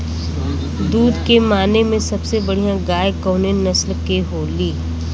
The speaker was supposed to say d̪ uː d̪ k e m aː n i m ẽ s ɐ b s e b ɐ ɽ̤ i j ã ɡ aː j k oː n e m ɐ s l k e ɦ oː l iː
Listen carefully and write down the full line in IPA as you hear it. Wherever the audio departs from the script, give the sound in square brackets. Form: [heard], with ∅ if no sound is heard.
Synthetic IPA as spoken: d̪ uː d̪ k e m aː n [e] m ẽ s ɐ b s e b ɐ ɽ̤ i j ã ɡ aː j k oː n e [n] ɐ s l k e ɦ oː l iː

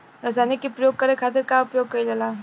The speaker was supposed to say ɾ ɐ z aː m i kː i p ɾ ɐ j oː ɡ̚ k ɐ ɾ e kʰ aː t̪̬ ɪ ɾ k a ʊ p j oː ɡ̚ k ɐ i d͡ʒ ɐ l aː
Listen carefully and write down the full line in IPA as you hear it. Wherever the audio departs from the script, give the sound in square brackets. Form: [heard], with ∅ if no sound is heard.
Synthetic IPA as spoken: ɾ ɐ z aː [n] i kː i p ɾ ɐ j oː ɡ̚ k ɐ ɾ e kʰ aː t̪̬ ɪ ɾ k a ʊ p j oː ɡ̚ k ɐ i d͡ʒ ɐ l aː

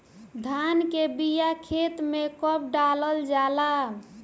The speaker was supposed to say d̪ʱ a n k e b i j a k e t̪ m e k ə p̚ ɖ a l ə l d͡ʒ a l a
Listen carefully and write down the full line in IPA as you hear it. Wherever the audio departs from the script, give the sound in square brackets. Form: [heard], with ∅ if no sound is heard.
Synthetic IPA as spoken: d̪ʱ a n k e b i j a [kʰ] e t̪ m e k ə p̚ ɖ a l ə l d͡ʒ a l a

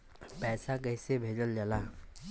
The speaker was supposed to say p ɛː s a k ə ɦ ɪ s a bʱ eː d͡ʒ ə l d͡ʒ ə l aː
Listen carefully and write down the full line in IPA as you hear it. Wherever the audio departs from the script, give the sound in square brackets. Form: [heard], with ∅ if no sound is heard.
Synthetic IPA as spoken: p ɛː s a k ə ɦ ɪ s [e] bʱ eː d͡ʒ ə l d͡ʒ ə l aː

